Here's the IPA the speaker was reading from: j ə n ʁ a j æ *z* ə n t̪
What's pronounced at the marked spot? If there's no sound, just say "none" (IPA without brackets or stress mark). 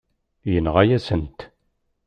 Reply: s